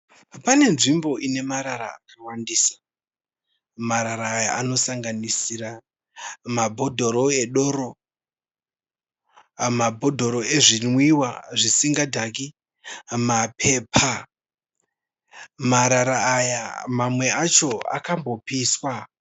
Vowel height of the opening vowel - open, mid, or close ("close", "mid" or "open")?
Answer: open